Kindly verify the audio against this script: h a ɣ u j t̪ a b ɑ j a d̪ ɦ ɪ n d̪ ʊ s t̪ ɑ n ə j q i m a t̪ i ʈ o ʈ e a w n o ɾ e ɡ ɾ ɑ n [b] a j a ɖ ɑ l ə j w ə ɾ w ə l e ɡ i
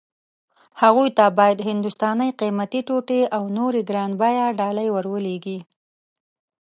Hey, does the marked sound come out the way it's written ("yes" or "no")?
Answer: yes